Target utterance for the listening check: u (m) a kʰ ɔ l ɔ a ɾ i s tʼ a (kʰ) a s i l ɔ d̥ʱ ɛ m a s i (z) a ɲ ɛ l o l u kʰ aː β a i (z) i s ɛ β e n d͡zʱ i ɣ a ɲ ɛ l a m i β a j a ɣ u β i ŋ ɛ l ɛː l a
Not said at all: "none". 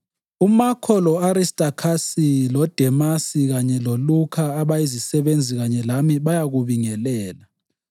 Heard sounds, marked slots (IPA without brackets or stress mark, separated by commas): m, kʰ, ɣ, z